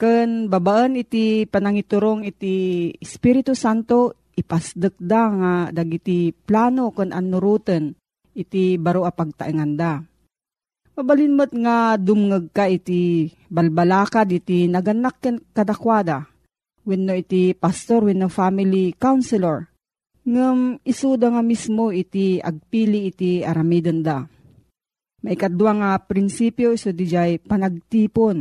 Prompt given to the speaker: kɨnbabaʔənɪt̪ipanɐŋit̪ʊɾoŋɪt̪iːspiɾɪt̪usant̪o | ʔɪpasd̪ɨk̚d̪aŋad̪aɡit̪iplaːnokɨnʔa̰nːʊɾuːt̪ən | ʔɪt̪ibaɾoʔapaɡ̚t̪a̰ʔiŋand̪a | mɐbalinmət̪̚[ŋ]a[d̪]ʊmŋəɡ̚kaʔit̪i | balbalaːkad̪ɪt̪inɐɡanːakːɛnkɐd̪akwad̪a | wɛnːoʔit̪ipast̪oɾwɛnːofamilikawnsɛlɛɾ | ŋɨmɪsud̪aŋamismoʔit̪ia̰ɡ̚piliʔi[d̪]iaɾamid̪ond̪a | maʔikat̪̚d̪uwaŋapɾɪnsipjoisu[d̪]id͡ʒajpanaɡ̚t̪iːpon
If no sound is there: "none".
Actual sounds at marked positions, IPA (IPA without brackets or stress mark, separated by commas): ŋ, d̪, t̪, d̪